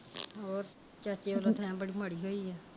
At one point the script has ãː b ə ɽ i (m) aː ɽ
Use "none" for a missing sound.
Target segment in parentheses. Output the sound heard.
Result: m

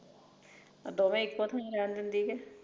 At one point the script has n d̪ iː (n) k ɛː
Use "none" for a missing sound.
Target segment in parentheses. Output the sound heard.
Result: none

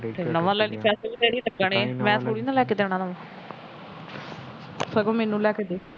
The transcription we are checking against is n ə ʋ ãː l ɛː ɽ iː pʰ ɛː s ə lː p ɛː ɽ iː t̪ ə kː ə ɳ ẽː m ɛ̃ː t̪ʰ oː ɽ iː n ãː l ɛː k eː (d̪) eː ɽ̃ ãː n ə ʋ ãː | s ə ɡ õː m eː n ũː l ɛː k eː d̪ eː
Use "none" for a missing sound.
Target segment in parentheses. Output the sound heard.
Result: d̪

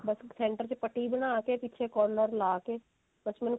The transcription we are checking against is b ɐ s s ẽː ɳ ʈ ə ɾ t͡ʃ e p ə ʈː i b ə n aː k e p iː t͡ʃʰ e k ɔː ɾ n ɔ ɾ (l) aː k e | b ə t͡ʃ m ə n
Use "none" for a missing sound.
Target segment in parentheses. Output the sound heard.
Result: l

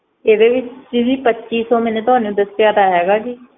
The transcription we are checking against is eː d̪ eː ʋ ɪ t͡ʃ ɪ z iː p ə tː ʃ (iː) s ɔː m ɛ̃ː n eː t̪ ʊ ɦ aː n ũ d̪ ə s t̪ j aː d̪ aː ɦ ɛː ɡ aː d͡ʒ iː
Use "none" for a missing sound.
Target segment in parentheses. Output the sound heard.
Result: iː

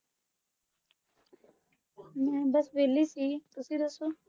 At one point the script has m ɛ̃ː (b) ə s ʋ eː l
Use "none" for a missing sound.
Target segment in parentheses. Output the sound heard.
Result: b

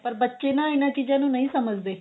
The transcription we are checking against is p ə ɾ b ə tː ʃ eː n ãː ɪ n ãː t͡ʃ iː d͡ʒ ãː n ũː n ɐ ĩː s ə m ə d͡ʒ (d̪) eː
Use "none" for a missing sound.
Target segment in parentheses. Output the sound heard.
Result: d̪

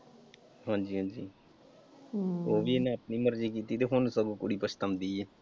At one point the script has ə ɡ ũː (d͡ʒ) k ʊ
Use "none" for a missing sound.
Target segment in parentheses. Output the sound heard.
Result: none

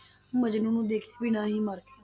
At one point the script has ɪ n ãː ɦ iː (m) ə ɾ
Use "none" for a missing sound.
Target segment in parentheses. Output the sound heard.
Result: m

